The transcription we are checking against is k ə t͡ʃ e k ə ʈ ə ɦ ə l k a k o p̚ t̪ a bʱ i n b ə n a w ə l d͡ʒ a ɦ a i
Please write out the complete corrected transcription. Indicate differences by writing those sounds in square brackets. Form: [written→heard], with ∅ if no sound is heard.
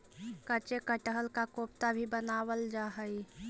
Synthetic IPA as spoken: k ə t͡ʃ e k ə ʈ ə ɦ ə l k a k o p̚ t̪ a bʱ i [n→∅] b ə n a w ə l d͡ʒ a ɦ [a→ə] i